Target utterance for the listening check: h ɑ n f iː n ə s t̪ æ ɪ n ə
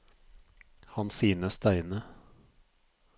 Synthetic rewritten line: h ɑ n s iː n ə s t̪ æ ɪ n ə